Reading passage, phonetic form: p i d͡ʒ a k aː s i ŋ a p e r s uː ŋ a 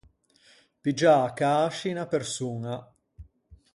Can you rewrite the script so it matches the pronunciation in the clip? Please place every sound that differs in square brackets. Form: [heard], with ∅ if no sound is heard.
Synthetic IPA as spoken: p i d͡ʒ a k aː [ʃ] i [n] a p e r s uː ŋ a